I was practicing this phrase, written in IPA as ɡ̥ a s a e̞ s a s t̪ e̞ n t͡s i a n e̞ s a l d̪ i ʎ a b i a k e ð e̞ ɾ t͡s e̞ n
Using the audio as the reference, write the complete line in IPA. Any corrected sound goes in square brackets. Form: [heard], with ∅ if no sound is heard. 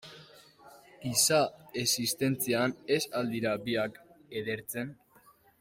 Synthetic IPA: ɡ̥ [i] s a e̞ s [i] s t̪ e̞ n t͡s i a n e̞ s a l d̪ i [ɾ] a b i a k e ð e̞ ɾ t͡s e̞ n